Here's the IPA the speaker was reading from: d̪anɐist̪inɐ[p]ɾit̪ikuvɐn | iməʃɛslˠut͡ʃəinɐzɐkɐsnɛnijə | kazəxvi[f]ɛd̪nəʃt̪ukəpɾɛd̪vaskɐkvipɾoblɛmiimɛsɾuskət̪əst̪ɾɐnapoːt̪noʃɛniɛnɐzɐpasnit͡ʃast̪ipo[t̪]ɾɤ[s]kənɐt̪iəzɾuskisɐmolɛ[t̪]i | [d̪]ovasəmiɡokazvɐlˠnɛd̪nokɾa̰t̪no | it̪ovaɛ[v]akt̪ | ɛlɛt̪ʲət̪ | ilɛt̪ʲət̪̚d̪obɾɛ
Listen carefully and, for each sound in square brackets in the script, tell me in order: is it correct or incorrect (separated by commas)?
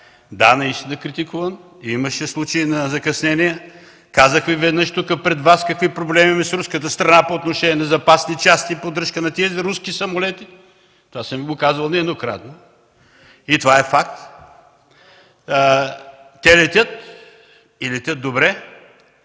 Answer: incorrect, incorrect, incorrect, incorrect, correct, incorrect, incorrect